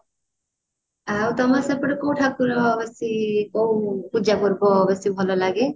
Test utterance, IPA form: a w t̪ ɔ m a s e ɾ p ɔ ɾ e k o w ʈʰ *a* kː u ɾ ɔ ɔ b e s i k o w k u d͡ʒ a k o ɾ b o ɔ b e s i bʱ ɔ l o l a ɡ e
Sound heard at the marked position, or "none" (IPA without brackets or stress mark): a